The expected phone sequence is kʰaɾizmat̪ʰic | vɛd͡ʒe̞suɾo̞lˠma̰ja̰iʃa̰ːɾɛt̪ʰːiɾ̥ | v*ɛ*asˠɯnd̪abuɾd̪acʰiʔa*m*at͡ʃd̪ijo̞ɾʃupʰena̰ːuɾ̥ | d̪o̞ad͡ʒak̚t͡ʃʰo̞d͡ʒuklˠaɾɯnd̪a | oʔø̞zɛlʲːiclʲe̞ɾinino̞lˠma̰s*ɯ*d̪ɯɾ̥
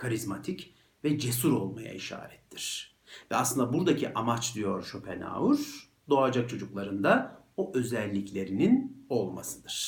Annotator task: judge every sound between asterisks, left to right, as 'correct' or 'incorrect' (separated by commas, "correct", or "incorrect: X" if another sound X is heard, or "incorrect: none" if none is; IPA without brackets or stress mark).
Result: correct, correct, correct